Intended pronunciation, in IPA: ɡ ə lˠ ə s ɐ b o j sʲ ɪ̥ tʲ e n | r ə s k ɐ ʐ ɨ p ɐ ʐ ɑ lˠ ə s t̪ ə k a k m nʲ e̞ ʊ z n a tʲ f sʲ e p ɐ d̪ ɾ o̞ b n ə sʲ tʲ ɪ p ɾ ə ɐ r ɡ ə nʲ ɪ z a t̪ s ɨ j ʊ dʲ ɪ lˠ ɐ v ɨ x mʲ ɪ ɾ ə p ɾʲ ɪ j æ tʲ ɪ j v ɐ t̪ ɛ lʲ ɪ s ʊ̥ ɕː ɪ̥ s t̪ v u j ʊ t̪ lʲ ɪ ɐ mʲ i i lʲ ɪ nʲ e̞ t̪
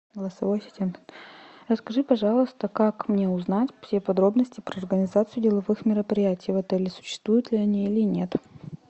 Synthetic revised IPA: ɡ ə lˠ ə s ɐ v o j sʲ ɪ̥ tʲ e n | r ə s k ɐ ʐ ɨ p ɐ ʐ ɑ lˠ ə s t̪ ə k a k m nʲ e̞ ʊ z n a tʲ f sʲ e p ɐ d̪ ɾ o̞ b n ə sʲ tʲ ɪ p ɾ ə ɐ r ɡ ə nʲ ɪ z a t̪ s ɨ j ʊ dʲ ɪ lˠ ɐ v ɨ x mʲ ɪ ɾ ə p ɾʲ ɪ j æ tʲ ɪ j v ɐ t̪ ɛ lʲ ɪ s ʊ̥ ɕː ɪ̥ s t̪ v u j ʊ t̪ lʲ ɪ ɐ nʲ i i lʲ ɪ nʲ e̞ t̪

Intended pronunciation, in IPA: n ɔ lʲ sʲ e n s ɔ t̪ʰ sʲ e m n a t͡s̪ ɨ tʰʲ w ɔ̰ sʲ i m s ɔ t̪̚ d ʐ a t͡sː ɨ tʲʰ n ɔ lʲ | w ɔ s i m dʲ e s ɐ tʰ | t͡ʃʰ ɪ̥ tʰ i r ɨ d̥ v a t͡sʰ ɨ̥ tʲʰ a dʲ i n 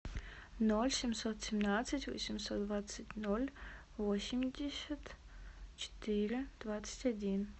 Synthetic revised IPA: n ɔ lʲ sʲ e m s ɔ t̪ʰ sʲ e m n a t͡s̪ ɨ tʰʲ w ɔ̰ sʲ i m s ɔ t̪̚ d v a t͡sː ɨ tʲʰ n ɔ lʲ | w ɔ s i m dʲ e s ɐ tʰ | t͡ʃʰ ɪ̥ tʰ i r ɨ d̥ v a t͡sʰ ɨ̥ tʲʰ a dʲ i n

